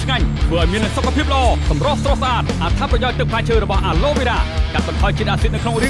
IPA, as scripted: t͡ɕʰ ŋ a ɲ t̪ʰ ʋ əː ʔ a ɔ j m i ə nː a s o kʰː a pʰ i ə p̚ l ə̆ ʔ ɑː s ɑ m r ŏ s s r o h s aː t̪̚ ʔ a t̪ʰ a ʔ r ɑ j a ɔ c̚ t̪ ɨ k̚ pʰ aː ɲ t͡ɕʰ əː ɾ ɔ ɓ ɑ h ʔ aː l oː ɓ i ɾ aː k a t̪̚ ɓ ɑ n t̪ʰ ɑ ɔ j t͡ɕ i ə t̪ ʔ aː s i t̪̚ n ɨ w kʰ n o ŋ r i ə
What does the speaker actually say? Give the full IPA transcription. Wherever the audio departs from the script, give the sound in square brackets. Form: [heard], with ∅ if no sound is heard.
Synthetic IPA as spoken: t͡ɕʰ ŋ a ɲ t̪ʰ ʋ əː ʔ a ɔ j m i ə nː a s o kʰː a pʰ i ə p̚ l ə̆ ʔ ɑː s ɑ m r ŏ [h] s r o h s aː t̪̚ ʔ a t̪ʰ a [p] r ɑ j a ɔ c̚ t̪ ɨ k̚ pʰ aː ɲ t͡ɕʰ əː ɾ ɔ ɓ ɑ h ʔ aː l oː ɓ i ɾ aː k a t̪̚ ɓ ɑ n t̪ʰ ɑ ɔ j t͡ɕ i ə t̪ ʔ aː s i t̪̚ n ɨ w kʰ n o ŋ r i ə